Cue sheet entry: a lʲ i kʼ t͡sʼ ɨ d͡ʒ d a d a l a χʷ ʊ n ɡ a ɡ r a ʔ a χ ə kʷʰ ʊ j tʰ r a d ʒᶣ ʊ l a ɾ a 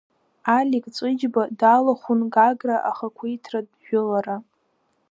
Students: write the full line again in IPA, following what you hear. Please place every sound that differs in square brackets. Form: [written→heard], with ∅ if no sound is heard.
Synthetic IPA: a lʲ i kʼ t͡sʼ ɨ d͡ʒ [d→b] a d a l a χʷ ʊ n ɡ a ɡ r a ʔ a χ [ə→a] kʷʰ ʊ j tʰ r a d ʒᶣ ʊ l a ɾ a